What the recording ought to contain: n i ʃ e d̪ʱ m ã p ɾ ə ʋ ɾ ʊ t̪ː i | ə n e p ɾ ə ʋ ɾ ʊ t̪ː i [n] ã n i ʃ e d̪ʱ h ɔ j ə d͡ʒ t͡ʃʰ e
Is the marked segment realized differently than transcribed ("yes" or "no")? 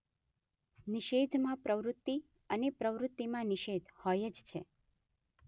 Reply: yes